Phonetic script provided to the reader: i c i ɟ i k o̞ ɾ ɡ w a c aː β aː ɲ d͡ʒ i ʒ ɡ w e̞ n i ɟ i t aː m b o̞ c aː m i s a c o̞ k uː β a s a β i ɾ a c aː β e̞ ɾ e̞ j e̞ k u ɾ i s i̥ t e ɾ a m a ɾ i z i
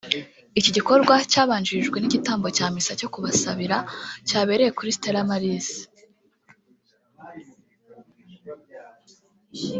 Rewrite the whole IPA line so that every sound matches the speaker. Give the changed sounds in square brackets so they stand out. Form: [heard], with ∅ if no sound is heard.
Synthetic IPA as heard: i c i ɟ i k o̞ ɾ ɡ w a c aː β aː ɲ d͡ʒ i ʒ ɡ w e̞ n i ɟ i t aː m b o̞ c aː m i s a c o̞ k [u] β a s a β i ɾ a c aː β e̞ ɾ e̞ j e̞ k u ɾ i s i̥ t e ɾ a m a ɾ i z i